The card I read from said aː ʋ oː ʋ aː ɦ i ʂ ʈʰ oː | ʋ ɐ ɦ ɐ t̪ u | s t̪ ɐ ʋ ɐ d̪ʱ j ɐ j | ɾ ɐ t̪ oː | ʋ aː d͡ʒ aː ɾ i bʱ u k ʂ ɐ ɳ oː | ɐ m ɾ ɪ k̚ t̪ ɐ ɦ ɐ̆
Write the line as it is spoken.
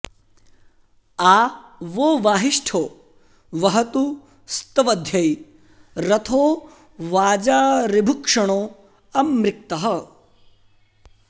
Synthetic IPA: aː ʋ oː ʋ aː ɦ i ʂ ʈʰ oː | ʋ ɐ ɦ ɐ t̪ u | s t̪ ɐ ʋ ɐ d̪ʱ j ɐ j | ɾ ɐ t̪ʰ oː | ʋ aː d͡ʒ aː ɾ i bʱ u k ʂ ɐ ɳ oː | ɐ m ɾ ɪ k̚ t̪ ɐ ɦ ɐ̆